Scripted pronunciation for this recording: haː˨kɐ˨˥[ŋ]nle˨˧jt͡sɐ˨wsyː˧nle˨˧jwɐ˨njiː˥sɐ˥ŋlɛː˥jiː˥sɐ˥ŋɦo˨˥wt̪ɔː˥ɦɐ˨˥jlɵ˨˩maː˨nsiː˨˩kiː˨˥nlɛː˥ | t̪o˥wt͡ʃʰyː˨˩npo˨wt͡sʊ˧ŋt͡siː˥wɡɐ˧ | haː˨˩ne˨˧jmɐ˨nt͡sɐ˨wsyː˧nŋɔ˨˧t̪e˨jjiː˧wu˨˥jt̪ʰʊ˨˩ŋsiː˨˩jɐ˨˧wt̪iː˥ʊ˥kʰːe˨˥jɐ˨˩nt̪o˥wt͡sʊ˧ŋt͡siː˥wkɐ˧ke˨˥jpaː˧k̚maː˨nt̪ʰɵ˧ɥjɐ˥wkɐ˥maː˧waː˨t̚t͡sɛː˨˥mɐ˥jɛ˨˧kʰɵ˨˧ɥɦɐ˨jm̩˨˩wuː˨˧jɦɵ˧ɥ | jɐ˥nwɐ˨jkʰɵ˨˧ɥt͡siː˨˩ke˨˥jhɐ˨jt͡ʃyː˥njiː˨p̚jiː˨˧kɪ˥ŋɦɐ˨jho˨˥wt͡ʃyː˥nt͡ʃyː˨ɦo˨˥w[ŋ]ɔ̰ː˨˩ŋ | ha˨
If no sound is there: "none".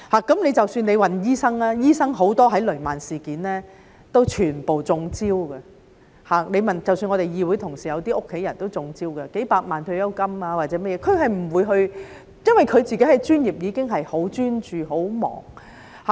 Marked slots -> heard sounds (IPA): m, m

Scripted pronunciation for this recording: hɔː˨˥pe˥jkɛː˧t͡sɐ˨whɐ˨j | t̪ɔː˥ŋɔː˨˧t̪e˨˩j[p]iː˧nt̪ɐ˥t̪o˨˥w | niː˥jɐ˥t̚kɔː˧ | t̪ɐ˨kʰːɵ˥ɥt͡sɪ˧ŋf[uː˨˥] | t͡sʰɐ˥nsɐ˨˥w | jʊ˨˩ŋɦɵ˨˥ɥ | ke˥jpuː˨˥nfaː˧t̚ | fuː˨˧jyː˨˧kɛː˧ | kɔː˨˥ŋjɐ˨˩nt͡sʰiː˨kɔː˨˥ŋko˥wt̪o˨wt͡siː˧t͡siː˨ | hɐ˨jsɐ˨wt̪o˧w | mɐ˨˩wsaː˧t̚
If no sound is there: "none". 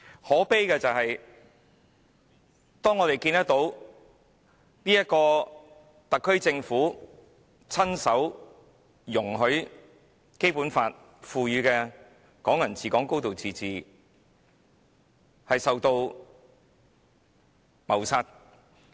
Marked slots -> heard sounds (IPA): k, uː˨˥

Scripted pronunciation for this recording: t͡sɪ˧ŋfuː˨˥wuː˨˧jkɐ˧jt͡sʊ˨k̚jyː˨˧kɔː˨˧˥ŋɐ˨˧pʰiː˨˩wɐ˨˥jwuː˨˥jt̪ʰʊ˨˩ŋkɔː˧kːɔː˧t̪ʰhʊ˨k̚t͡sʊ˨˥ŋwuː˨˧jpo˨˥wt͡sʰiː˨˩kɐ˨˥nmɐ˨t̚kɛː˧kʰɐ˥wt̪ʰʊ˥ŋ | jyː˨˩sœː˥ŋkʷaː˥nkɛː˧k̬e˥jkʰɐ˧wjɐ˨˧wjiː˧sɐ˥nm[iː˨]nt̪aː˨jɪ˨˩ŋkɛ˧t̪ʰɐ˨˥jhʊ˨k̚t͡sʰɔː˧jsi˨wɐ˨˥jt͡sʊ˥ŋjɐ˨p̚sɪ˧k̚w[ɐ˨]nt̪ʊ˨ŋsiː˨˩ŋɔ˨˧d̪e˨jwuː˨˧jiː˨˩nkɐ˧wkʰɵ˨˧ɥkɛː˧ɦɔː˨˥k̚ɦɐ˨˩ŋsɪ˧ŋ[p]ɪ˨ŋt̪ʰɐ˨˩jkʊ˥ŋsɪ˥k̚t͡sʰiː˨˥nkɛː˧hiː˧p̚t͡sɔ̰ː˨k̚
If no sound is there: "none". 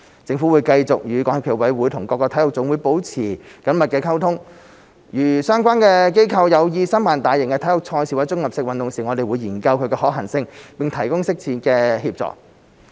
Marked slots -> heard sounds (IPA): aː˨, ɐ˨, p

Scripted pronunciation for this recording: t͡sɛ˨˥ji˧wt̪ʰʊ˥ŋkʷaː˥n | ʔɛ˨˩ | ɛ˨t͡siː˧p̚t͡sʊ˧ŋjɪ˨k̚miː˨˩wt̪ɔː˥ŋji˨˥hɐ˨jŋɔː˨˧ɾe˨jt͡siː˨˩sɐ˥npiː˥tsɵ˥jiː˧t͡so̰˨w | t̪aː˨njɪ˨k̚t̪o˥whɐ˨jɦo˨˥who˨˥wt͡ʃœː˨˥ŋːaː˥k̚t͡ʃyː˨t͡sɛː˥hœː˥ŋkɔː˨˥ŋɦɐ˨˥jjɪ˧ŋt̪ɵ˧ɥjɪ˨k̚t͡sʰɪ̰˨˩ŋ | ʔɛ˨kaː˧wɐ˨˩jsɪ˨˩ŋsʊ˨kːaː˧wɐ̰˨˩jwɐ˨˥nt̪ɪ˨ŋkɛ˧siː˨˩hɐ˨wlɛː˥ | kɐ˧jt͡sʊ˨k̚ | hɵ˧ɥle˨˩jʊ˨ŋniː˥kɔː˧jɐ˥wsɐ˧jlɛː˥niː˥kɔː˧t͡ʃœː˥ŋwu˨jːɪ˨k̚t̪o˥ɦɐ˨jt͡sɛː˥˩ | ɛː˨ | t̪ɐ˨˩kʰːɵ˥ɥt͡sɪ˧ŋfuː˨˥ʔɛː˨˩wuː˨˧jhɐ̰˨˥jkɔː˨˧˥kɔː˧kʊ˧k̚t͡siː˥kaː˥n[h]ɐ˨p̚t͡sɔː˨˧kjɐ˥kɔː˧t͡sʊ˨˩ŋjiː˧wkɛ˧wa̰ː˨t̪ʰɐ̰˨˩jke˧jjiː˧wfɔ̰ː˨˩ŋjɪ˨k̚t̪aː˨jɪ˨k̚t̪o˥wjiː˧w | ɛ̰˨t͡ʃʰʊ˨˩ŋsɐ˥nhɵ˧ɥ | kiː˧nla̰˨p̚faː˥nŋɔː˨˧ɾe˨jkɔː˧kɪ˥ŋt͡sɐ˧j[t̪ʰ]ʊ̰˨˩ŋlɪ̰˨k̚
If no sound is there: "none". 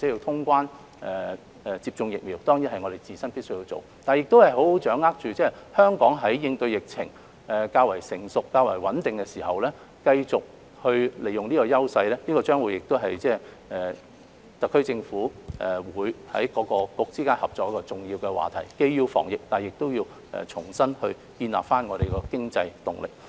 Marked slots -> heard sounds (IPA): h, t̪

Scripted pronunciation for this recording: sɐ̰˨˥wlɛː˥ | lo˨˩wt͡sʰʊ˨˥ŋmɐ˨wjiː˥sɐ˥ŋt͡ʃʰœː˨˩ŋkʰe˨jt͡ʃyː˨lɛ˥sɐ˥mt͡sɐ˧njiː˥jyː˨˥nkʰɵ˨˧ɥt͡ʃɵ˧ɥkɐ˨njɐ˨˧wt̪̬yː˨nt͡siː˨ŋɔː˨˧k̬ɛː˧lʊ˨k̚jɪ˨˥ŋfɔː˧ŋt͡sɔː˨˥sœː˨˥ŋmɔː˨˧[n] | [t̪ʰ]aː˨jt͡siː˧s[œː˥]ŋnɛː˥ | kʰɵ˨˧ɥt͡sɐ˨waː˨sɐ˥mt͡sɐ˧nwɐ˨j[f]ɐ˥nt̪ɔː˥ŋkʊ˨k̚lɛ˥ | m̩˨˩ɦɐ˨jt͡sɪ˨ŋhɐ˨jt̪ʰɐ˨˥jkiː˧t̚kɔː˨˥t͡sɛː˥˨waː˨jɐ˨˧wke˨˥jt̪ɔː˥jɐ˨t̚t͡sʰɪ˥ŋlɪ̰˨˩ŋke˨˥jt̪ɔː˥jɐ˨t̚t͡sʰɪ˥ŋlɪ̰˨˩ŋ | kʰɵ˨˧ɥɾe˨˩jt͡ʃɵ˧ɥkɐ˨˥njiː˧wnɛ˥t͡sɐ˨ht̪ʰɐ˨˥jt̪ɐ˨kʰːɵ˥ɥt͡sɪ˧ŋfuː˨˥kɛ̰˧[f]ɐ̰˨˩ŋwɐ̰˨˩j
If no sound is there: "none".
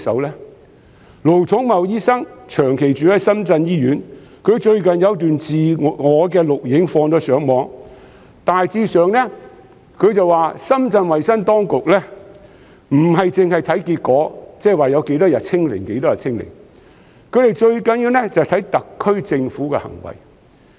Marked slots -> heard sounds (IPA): ŋ, t̪, œː˨, s, h

